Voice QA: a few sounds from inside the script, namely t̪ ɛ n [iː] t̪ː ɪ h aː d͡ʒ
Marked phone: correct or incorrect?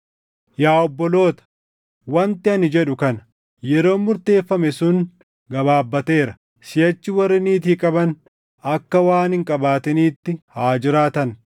correct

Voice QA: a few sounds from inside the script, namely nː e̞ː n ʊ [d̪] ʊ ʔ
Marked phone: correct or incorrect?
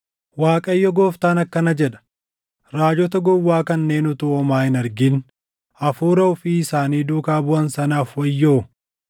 incorrect: t̪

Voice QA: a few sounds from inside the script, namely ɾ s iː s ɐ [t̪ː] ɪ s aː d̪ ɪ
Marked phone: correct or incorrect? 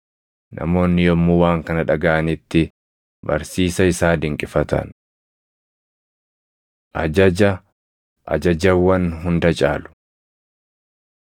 incorrect: none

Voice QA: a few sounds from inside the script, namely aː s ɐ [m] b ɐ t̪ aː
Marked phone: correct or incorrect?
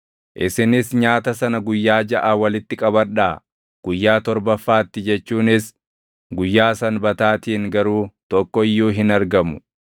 incorrect: n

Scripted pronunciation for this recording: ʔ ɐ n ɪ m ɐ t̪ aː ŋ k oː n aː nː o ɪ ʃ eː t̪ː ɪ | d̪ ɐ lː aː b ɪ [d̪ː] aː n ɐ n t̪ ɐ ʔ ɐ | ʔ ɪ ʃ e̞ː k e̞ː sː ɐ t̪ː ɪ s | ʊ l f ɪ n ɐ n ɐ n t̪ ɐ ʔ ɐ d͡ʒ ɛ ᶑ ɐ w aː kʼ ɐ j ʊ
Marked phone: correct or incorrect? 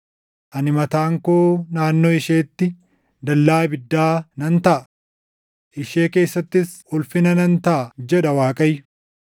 correct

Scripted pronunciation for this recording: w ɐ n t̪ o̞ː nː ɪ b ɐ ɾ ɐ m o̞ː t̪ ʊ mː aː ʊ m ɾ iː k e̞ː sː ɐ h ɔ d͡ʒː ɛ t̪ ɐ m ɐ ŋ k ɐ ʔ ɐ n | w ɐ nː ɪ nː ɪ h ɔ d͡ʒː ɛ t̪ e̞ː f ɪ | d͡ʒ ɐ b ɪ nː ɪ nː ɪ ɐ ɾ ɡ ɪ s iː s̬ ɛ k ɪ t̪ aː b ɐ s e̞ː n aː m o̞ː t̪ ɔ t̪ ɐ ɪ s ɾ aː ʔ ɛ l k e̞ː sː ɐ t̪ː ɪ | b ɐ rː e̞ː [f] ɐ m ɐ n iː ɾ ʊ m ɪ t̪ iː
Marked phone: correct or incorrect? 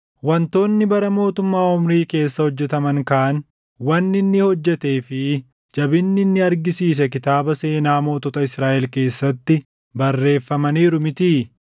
incorrect: fː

